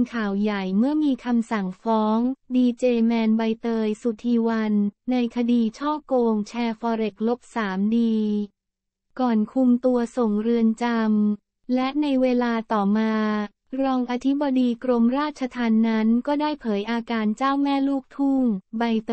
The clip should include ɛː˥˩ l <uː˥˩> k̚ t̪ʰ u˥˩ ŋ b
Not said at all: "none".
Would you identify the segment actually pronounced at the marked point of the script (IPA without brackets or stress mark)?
uː˥˩